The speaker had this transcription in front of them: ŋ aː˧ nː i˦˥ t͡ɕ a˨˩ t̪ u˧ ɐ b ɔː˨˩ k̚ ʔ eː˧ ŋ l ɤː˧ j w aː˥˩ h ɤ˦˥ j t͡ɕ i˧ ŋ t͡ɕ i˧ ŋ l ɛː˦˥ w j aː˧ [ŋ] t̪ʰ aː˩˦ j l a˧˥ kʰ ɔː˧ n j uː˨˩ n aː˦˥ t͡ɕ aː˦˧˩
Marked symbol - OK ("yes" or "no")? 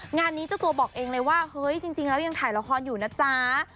yes